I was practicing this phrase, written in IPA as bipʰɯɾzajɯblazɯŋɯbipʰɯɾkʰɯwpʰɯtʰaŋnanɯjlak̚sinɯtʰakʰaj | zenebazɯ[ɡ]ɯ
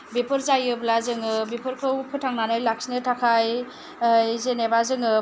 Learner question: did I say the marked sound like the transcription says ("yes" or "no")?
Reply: no